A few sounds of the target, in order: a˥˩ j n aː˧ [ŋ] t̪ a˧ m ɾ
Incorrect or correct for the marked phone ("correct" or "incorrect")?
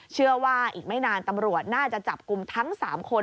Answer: incorrect